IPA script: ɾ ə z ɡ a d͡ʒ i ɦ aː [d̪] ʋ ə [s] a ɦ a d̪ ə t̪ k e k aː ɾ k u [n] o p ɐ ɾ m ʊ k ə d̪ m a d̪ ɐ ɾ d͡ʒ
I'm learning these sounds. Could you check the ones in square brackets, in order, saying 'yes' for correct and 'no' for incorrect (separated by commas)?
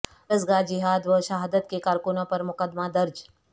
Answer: yes, no, yes